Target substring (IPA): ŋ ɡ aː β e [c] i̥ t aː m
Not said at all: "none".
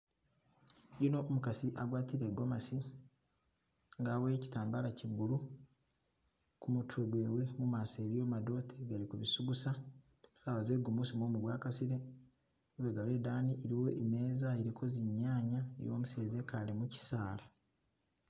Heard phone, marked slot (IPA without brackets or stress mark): c